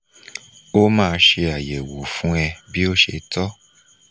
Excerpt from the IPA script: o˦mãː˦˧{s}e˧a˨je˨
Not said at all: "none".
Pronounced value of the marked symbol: ʃ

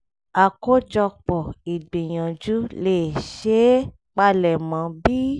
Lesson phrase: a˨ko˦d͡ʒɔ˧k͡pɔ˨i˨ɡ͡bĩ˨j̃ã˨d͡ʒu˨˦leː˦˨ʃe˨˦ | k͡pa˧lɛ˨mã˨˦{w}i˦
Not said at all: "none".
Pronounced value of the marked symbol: b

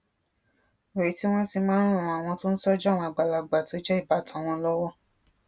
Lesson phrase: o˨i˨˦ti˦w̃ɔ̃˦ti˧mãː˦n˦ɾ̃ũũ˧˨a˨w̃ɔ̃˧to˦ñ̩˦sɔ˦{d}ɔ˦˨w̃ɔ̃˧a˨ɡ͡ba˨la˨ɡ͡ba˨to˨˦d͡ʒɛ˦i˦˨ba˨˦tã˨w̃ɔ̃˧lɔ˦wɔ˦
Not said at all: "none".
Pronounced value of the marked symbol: d͡ʒ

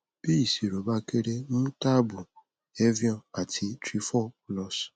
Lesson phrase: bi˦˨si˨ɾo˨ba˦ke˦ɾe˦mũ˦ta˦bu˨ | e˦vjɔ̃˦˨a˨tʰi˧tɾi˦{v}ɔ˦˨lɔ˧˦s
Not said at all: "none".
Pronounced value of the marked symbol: f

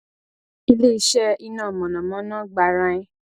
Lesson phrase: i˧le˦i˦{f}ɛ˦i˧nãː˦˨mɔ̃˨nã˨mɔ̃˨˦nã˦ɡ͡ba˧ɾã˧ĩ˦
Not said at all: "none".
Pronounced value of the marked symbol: ʃ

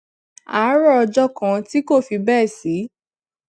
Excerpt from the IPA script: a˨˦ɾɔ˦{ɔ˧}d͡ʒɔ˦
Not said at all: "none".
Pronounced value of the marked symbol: ɔ˧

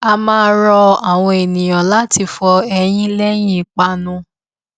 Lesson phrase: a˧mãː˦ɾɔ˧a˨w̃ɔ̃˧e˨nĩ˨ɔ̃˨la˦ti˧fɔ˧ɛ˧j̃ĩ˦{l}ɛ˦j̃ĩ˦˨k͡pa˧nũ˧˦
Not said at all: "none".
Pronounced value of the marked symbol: l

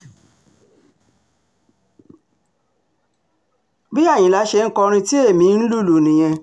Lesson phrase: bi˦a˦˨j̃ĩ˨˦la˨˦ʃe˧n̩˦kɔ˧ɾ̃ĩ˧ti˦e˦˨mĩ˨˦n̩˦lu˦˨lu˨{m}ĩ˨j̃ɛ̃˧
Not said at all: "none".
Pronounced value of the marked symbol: n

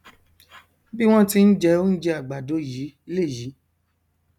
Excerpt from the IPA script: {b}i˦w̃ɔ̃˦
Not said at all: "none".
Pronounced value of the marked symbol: b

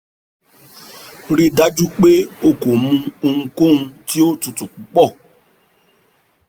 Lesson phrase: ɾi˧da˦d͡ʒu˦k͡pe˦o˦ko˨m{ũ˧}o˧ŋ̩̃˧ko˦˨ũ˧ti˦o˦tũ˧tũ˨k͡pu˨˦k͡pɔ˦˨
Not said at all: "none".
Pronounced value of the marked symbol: ũ˧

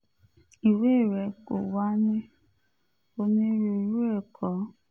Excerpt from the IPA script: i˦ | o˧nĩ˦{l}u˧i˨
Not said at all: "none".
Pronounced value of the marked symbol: ɾ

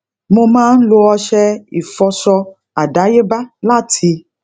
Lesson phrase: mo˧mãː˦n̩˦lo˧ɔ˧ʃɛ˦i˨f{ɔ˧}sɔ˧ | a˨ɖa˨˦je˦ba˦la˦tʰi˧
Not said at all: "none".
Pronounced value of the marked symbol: ɔ˧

